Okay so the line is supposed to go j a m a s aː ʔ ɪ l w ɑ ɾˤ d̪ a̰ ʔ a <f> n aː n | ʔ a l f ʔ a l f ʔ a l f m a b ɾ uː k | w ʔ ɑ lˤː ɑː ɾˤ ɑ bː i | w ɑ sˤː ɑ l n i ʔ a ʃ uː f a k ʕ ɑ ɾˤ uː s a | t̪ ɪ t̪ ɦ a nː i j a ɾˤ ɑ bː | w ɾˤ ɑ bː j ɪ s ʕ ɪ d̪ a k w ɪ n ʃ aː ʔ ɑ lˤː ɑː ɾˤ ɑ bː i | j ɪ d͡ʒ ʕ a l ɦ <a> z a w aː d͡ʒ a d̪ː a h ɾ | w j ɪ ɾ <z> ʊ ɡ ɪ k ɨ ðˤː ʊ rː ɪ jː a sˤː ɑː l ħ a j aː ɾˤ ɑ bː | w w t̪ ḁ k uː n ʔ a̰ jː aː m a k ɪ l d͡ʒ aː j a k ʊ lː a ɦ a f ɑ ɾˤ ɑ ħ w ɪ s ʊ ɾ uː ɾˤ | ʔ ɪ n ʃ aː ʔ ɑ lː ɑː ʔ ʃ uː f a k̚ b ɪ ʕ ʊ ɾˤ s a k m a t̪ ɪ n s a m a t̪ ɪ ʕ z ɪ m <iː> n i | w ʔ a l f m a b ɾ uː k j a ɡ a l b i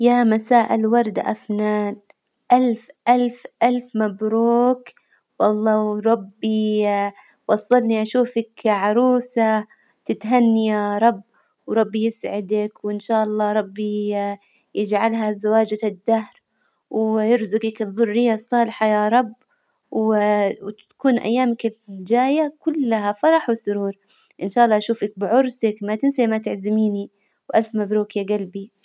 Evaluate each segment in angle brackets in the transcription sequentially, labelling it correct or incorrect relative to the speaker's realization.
correct, correct, correct, correct

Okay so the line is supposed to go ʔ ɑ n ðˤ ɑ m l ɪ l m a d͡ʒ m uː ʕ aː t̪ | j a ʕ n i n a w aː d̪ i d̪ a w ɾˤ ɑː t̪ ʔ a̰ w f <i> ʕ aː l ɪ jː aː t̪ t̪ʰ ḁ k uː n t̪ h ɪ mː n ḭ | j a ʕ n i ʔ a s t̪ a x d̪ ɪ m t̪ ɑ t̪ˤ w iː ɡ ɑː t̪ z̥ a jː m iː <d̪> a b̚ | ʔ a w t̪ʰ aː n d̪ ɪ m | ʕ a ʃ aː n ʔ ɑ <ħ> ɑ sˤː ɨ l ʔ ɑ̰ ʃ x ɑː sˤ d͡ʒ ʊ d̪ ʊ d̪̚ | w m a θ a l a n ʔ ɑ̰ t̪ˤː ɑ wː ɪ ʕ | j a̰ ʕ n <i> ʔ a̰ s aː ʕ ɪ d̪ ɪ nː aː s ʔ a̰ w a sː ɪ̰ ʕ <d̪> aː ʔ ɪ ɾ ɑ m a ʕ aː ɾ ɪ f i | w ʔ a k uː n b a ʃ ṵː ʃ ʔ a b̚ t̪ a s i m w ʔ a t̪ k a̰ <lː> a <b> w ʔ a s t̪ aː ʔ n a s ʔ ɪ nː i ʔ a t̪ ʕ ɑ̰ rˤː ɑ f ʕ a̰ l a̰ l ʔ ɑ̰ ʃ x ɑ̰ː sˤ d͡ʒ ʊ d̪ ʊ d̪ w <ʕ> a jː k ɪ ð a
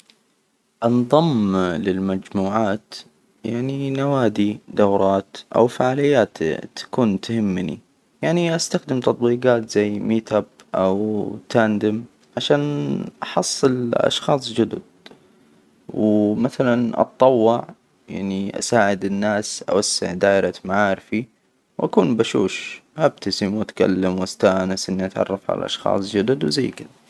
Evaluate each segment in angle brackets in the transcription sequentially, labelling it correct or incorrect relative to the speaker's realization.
incorrect: a, incorrect: t̪, correct, correct, correct, correct, incorrect: m, incorrect: z

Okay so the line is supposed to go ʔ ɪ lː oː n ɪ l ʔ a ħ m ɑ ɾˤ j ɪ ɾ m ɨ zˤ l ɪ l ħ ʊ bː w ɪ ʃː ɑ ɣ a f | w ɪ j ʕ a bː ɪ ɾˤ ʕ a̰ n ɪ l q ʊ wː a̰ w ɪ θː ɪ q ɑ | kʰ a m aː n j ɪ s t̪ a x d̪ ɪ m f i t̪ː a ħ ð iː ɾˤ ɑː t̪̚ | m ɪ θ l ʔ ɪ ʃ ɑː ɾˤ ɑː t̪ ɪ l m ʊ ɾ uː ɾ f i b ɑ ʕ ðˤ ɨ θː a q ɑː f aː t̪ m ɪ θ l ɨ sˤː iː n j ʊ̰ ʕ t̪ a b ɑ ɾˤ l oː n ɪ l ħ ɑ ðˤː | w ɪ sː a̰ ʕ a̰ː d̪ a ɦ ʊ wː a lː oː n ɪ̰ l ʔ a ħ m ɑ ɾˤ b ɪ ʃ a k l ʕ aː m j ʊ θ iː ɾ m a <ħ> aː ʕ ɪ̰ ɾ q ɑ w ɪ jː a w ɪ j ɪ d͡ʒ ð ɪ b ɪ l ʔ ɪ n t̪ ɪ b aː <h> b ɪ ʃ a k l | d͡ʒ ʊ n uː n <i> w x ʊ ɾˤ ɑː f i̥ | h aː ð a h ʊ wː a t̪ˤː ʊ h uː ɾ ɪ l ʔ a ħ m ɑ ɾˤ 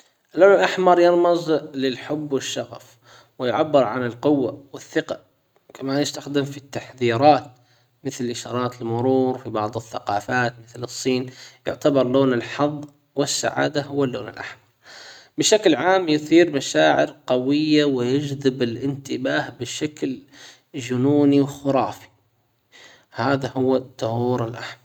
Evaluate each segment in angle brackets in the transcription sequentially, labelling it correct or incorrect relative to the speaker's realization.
incorrect: ʃ, correct, correct

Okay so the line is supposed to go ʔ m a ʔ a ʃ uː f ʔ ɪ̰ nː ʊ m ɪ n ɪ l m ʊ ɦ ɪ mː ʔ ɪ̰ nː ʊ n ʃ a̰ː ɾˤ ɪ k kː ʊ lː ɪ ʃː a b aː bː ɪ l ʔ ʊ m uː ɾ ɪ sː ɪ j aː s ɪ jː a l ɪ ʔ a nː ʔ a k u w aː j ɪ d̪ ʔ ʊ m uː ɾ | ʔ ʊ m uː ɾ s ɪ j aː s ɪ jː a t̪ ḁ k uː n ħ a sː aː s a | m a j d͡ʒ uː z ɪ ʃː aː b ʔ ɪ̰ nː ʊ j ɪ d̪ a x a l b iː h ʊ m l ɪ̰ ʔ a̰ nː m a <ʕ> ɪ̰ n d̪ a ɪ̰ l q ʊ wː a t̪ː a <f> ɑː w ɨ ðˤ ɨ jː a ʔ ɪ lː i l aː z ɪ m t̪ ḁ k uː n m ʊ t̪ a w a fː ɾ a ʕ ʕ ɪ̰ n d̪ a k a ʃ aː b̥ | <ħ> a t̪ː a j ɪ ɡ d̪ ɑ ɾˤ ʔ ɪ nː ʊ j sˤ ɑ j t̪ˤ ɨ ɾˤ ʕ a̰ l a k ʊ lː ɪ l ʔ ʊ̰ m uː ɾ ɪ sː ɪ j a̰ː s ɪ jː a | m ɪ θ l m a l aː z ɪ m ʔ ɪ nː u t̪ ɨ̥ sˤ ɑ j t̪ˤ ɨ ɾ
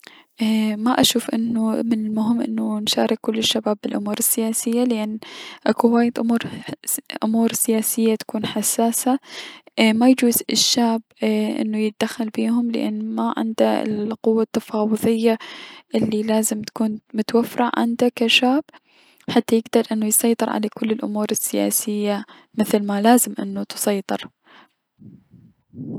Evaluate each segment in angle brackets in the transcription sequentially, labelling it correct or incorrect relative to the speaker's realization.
correct, correct, correct

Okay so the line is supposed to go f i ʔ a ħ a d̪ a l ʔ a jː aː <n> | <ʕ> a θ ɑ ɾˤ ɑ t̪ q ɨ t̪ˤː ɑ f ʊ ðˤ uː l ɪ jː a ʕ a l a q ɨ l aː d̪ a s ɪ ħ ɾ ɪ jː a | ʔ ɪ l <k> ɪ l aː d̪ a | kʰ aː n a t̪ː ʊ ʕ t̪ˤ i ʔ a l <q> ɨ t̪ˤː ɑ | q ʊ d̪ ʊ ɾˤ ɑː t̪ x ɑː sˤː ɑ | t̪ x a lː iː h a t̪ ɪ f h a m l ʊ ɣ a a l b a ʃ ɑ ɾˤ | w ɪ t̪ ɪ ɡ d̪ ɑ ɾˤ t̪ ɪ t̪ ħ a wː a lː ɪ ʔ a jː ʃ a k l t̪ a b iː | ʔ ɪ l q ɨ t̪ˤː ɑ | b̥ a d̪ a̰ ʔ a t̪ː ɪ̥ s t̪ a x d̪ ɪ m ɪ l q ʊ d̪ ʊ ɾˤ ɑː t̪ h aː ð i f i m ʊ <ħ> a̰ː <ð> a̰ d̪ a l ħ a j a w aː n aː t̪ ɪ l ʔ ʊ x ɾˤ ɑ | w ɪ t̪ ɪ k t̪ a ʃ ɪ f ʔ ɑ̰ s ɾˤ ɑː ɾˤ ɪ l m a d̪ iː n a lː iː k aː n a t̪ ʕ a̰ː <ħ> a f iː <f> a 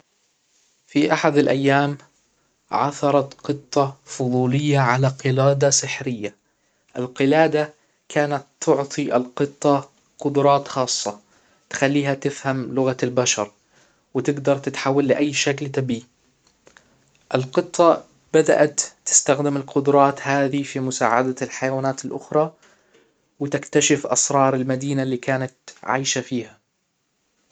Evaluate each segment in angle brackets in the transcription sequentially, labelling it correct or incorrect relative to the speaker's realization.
incorrect: m, correct, incorrect: q, correct, incorrect: s, incorrect: ʕ, incorrect: ʃ, incorrect: h

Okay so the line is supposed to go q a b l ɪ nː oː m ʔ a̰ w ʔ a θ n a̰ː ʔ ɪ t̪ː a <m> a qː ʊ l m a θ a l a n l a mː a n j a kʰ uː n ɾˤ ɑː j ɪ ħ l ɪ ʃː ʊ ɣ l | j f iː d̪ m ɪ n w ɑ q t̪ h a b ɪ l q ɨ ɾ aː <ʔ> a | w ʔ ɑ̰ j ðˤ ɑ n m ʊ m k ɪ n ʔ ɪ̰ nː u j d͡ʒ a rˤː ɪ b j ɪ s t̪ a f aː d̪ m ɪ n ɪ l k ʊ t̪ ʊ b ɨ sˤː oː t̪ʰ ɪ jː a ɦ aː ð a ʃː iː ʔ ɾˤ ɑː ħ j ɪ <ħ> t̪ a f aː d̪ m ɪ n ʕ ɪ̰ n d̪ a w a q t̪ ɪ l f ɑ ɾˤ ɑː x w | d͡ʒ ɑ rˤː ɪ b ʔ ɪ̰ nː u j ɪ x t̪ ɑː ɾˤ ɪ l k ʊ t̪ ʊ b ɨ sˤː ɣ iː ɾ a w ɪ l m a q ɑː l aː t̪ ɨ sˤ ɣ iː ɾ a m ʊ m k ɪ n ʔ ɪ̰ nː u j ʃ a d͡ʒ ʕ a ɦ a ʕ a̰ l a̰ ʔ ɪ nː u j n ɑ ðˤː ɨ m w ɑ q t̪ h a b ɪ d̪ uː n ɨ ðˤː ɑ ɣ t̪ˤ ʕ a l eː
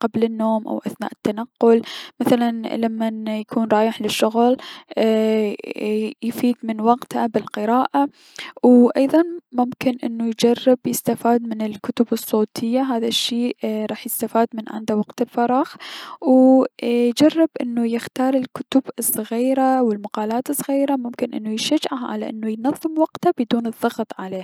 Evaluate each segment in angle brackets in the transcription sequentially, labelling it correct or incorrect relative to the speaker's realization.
incorrect: n, correct, incorrect: s

